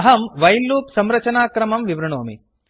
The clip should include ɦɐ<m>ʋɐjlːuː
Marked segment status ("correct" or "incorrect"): correct